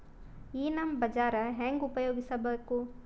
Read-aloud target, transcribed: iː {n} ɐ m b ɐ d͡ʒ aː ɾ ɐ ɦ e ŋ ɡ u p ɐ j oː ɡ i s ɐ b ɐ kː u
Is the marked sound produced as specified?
yes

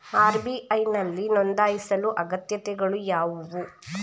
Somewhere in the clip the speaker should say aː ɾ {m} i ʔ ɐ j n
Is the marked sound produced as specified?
no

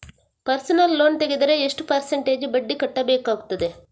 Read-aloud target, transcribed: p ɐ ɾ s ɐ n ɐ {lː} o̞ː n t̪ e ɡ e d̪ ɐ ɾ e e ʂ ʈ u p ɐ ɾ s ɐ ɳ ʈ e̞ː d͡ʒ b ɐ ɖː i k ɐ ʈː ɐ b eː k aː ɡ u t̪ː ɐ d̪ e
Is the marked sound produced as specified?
yes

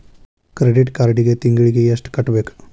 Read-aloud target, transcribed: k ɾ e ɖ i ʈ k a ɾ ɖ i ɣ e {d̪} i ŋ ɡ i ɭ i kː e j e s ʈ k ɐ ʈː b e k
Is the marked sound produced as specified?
no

